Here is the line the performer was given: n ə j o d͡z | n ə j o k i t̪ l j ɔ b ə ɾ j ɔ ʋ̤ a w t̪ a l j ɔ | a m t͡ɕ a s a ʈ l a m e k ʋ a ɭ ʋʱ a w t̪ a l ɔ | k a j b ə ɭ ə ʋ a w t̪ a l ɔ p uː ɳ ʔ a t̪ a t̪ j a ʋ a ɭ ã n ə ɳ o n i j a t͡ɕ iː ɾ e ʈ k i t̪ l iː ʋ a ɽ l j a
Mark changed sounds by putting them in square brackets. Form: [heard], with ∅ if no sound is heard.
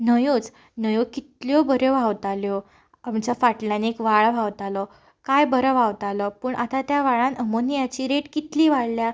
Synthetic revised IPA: n ə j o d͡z | n ə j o k i t̪ l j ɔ b ə ɾ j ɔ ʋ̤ a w t̪ a l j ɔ | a m t͡ɕ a [f] a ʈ l a [n] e k ʋ a ɭ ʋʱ a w t̪ a l ɔ | k a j b ə [ɾ] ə ʋ a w t̪ a l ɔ p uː ɳ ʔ a t̪ a t̪ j a ʋ a ɭ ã n ə [m] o n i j a t͡ɕ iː ɾ e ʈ k i t̪ l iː ʋ a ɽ l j a